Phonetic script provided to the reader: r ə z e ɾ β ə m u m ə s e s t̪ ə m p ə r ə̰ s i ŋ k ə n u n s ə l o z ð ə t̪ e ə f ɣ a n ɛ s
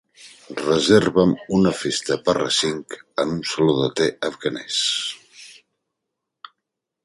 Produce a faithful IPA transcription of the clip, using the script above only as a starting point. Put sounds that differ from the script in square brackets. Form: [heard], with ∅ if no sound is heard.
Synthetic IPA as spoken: r ə z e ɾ β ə m u [n] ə [f] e s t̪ ə [∅] p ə r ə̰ s i ŋ k ə n u n s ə l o [∅] ð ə t̪ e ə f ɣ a n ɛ s